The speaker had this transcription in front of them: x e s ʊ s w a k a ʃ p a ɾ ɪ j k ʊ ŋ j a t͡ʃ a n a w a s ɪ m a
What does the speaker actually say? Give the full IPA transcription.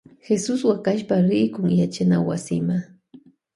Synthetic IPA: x e s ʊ s w a k a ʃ p a ɾ ɪ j k ʊ ŋ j a t͡ʃ a n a w a s ɪ m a